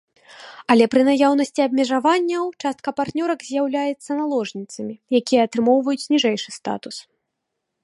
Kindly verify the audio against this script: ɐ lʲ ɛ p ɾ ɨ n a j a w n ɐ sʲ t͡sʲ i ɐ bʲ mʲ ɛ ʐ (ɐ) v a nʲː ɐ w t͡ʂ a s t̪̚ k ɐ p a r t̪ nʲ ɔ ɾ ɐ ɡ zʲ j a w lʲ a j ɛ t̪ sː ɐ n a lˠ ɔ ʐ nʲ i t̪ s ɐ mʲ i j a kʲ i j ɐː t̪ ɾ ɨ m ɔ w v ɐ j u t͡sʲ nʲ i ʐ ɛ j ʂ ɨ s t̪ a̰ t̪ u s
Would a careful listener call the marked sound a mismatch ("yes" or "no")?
yes